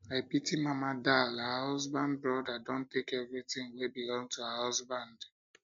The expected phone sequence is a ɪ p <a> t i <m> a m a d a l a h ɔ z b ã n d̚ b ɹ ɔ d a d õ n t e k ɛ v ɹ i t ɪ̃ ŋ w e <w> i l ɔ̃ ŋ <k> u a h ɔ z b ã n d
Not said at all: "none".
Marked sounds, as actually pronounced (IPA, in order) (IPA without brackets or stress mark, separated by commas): i, m, b, t